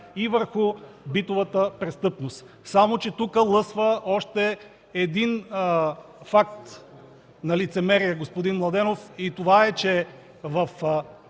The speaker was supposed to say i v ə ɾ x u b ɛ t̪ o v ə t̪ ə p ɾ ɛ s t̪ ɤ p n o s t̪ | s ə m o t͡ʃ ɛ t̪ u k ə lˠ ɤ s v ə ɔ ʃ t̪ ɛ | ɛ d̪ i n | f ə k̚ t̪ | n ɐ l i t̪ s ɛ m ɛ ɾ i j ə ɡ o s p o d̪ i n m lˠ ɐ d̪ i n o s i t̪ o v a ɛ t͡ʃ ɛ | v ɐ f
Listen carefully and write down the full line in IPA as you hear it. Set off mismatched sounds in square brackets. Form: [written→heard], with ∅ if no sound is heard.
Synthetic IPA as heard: i v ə ɾ x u b [ɛ→i] t̪ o v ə t̪ ə p ɾ ɛ s t̪ ɤ p n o s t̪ | s [ə→a] m o t͡ʃ ɛ t̪ u k ə lˠ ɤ s v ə ɔ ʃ t̪ ɛ | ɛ d̪ i n | f [ə→a] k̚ t̪ | n ɐ l i t̪ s ɛ m ɛ ɾ i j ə ɡ o s p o d̪ i n m lˠ ɐ d̪ [i→ɛ] n o [s→f] i t̪ o v a ɛ t͡ʃ ɛ | v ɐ f